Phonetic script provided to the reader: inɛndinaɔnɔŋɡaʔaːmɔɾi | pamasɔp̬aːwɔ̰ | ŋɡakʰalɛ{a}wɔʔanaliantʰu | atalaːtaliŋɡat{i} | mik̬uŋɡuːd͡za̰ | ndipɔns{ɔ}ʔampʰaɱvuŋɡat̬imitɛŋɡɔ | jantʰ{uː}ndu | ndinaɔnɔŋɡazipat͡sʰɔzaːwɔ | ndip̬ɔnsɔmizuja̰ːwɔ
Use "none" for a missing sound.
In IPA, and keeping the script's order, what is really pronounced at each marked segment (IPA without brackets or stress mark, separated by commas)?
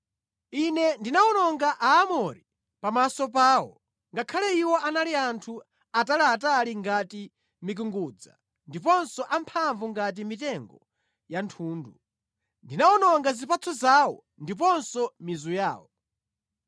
i, i, ɔ, uː